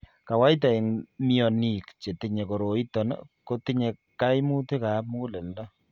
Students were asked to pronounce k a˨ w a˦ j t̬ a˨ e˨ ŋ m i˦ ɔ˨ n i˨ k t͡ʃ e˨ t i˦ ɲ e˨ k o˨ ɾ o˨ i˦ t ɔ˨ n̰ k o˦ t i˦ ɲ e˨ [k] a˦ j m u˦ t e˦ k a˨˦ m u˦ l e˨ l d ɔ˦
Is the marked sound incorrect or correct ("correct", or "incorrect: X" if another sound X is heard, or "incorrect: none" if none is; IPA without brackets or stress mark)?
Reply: correct